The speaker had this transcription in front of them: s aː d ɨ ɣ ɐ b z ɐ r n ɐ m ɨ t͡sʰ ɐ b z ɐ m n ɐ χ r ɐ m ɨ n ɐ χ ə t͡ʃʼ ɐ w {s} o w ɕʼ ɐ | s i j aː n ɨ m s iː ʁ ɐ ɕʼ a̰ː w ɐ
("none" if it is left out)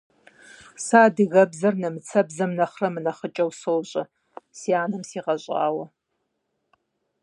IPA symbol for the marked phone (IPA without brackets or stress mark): s